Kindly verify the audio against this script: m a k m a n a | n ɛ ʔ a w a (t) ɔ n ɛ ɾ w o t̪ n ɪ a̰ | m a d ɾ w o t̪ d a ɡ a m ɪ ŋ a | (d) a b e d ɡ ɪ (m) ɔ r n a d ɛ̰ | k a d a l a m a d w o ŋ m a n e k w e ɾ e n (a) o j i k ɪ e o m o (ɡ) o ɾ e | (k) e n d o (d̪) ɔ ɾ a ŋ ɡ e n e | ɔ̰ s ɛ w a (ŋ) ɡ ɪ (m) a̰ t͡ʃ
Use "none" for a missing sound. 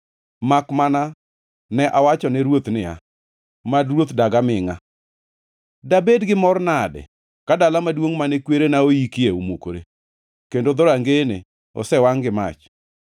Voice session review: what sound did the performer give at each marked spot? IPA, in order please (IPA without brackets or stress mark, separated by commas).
t͡ʃ, d, m, a, k, k, d̪, ŋ, m